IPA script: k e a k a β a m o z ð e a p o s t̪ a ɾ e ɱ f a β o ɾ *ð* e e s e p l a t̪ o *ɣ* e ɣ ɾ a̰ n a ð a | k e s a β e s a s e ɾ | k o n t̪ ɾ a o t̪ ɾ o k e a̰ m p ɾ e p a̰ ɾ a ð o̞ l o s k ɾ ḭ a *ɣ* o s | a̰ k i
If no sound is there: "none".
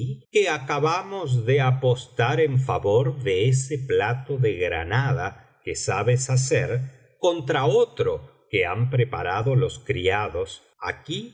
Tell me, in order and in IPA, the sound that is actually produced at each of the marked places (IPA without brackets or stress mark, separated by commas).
ð, ð, ð